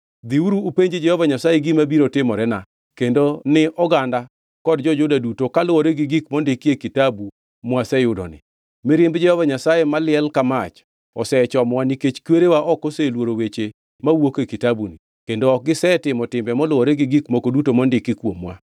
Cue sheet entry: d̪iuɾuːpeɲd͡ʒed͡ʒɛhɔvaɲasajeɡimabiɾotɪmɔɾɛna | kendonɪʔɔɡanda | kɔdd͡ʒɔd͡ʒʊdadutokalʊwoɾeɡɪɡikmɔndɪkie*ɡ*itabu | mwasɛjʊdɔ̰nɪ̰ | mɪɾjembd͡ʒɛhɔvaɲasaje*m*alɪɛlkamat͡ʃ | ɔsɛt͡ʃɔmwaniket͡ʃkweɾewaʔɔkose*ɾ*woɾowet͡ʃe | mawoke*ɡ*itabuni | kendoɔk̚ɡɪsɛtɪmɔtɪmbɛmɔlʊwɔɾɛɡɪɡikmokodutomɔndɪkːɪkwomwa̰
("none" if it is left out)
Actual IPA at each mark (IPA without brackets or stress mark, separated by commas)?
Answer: k, m, l, k